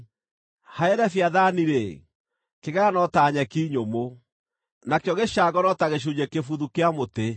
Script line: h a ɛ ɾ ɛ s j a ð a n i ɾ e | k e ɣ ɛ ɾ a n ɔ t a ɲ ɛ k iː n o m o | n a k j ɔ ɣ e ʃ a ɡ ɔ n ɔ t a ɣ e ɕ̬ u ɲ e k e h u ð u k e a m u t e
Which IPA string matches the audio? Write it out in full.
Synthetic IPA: h a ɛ ɾ ɛ f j a ð a n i ɾ e | k e ɣ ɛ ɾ a n ɔ t a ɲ ɛ k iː ɲ o m o | n a k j ɔ ɣ e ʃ a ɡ ɔ n ɔ t a ɣ e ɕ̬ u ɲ e k e f u ð u k e a m o t e